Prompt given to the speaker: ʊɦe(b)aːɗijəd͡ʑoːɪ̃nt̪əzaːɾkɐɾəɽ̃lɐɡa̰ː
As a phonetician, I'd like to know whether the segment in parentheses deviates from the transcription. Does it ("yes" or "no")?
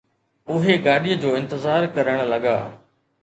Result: yes